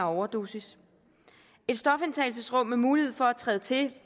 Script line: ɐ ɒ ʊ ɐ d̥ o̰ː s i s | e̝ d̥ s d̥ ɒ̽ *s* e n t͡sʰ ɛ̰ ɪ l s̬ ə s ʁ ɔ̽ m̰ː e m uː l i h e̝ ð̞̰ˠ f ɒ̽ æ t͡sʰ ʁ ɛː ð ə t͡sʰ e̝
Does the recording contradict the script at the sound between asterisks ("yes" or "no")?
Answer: yes